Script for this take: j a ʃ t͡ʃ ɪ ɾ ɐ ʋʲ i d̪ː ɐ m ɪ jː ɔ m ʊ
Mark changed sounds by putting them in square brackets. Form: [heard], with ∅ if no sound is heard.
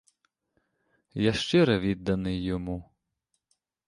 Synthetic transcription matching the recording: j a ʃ t͡ʃ ɪ ɾ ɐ ʋʲ i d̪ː ɐ [n] ɪ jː ɔ m [u]